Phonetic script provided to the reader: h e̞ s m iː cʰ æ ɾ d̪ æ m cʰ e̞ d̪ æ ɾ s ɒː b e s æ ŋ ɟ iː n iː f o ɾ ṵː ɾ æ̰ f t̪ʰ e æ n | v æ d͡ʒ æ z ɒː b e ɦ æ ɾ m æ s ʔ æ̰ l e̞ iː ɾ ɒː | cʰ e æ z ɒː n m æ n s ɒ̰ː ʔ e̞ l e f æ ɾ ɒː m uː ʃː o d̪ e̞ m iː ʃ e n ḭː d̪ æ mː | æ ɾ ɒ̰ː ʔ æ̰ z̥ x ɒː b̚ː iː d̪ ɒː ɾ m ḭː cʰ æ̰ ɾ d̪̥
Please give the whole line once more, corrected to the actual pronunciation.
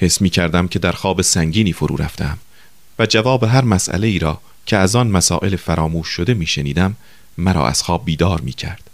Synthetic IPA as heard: h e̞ s m iː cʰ æ ɾ d̪ æ m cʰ e̞ d̪ æ ɾ x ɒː b e s æ ŋ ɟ iː n iː f o ɾ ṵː ɾ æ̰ f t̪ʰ e æ m | v æ d͡ʒ æ v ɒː b e ɦ æ ɾ m æ s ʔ æ̰ l e̞ iː ɾ ɒː | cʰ e æ z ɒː n m æ s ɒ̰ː ʔ e̞ l e f æ ɾ ɒː m uː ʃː o d̪ e̞ m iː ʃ e n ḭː d̪ æ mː | æ ɾ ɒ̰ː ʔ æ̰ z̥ x ɒː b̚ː iː d̪ ɒː ɾ m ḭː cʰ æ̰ ɾ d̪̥